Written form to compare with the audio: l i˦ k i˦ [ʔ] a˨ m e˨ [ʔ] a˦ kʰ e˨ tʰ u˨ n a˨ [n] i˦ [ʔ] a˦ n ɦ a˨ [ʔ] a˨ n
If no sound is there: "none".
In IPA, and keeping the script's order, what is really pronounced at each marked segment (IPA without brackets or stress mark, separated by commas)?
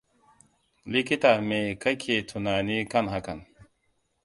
t, k, n, k, k